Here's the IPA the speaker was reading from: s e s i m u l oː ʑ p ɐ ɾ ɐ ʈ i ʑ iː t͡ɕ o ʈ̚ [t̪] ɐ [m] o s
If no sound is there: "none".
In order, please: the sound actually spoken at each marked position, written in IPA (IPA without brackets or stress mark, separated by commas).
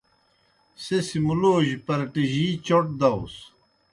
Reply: d̪, none